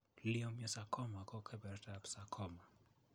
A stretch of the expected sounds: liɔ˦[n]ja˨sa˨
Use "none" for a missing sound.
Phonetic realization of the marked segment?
m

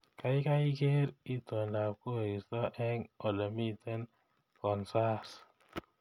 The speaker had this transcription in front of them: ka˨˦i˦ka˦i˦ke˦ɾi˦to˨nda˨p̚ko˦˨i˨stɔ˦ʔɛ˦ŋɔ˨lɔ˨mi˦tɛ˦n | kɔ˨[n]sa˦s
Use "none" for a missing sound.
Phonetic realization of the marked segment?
n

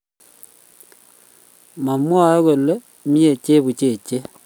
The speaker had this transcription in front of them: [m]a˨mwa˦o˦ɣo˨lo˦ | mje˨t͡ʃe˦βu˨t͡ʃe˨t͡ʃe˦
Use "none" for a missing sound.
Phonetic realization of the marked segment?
m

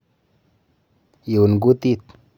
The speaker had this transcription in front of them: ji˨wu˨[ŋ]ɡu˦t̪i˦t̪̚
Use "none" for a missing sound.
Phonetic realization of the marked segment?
n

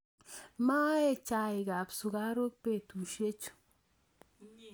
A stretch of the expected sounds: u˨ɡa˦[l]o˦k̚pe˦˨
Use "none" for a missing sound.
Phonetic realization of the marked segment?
ɾ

